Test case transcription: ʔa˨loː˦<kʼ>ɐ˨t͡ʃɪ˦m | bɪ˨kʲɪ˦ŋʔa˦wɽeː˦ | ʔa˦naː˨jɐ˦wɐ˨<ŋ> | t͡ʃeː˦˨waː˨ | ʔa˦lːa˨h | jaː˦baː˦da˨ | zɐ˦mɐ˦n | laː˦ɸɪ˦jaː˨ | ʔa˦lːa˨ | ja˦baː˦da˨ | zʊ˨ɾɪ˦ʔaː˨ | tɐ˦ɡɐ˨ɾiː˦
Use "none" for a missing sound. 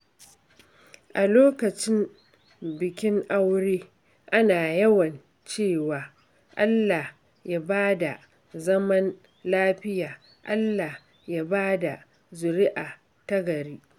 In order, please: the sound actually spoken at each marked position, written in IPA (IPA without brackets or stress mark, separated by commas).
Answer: k, n